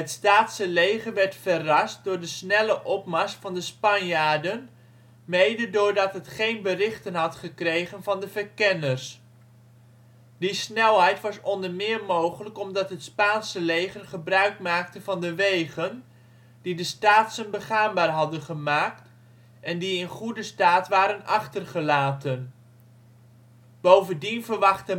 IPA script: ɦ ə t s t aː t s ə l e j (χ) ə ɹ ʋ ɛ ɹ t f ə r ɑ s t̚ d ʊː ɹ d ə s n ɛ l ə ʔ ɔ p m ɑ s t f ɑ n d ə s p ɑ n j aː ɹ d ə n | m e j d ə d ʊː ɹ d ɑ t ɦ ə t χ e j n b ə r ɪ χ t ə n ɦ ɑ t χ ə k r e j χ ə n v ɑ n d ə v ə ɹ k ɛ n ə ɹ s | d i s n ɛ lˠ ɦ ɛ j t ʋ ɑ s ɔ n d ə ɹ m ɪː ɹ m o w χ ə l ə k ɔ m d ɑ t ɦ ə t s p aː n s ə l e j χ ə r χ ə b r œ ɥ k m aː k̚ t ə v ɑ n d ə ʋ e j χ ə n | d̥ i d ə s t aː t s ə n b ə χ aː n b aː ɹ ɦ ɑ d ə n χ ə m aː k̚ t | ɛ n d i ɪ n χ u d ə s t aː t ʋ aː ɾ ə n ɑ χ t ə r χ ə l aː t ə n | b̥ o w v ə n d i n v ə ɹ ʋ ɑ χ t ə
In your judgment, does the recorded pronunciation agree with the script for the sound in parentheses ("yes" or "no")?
yes